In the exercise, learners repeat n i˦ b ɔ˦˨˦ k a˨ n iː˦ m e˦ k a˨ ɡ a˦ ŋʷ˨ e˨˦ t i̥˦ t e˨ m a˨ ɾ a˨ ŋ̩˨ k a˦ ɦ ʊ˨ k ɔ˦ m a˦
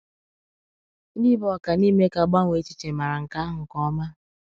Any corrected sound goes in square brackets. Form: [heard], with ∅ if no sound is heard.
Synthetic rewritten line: n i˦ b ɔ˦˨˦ k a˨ n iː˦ m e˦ k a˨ [ɡ͡b] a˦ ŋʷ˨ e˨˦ [t͡ʃ] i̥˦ [t͡ʃ] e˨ m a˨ ɾ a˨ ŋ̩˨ k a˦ ɦ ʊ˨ k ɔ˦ m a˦

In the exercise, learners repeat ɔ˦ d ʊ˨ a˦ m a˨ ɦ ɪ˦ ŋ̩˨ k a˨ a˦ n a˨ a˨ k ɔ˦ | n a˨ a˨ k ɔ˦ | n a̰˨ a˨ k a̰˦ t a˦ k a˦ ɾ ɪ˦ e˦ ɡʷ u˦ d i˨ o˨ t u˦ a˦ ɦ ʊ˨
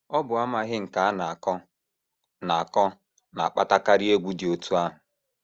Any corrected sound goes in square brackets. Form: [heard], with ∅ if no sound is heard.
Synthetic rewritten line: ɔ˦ [b] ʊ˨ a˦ m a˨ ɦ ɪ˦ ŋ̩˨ k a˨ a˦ n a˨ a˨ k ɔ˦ | n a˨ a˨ k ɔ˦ | n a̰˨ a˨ [k͡p] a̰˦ t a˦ k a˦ ɾ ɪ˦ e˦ ɡʷ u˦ d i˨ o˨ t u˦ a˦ ɦ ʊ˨

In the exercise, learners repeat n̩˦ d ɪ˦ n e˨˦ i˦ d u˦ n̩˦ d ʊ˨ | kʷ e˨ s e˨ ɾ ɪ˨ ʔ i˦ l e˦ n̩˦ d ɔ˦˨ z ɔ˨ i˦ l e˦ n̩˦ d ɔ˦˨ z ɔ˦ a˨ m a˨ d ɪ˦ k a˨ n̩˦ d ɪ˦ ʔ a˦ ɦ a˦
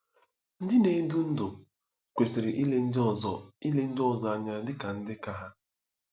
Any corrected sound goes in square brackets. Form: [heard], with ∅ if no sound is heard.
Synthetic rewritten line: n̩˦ d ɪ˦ n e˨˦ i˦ d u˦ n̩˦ d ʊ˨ | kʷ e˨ s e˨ ɾ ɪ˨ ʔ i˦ l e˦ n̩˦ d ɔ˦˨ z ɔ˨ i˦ l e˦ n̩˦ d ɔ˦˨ z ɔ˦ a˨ [ɲ] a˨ d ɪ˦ k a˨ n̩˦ d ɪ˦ [k] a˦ ɦ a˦

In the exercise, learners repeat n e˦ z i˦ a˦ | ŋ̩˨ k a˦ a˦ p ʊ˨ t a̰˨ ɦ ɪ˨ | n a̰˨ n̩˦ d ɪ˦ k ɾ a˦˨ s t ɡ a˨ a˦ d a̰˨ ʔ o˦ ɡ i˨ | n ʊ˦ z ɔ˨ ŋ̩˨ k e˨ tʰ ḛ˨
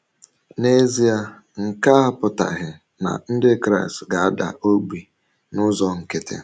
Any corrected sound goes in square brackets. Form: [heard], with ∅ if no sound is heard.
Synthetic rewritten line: n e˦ z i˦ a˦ | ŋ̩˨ k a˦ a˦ p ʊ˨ t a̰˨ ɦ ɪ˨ | n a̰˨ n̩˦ d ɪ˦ k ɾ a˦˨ s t ɡ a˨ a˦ d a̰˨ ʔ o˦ [ɡ͡b] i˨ | n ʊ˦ z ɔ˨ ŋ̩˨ k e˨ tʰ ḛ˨

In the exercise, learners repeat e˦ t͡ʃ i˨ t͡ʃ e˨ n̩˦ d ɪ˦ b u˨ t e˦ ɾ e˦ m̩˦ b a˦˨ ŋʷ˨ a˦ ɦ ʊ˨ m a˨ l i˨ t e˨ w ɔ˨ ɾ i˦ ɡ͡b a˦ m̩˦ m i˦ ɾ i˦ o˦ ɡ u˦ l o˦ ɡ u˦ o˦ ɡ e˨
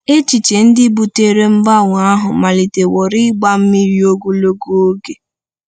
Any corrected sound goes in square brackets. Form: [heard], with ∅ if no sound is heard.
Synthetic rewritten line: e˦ t͡ʃ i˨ t͡ʃ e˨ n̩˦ d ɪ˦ b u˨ t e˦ ɾ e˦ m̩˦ b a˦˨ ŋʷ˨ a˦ ɦ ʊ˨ m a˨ l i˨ t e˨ w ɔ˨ ɾ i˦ ɡ͡b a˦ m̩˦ m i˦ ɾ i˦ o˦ ɡ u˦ l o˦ ɡ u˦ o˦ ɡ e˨

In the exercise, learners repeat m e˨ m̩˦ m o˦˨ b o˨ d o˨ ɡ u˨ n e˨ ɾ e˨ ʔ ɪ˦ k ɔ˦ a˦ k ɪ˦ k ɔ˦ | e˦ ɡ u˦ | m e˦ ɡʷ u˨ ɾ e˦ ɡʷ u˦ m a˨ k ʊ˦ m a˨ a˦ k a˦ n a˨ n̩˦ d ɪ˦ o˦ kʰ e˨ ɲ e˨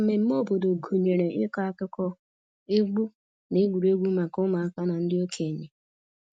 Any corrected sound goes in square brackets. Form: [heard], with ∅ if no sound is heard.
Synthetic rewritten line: m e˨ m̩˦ m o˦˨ b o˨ d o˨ ɡ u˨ [ɲ] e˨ ɾ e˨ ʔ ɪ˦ k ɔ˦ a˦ k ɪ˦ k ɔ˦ | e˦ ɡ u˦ | [n] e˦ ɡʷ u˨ ɾ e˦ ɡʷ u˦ m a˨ k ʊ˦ m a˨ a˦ k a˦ n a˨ n̩˦ d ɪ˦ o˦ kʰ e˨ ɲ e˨

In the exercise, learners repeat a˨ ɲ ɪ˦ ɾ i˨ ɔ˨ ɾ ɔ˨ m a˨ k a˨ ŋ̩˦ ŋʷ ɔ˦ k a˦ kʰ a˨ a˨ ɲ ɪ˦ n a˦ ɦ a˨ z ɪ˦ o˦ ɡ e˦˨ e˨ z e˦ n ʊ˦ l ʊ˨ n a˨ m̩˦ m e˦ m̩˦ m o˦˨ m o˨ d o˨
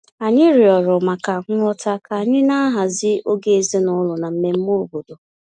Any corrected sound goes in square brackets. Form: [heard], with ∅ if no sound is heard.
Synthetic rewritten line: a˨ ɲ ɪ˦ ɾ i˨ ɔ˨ ɾ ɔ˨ m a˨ k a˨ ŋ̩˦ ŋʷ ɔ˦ [t] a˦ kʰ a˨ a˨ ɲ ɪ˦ n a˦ ɦ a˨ z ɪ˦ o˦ ɡ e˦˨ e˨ z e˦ n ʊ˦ l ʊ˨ n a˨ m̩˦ m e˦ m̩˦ m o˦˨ [b] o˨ d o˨

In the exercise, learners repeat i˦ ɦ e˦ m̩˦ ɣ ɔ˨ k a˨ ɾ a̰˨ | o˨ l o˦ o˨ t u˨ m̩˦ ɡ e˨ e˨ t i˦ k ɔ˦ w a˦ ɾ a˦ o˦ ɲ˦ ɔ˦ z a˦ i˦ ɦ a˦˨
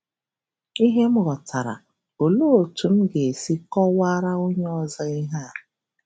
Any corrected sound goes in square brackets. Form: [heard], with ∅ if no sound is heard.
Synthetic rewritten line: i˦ ɦ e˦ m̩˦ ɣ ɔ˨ [t] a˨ ɾ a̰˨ | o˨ l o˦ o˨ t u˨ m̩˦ ɡ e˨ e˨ [s] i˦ k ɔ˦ w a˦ ɾ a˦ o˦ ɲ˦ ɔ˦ z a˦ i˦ ɦ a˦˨

